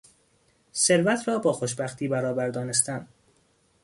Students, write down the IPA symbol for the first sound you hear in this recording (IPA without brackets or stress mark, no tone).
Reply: s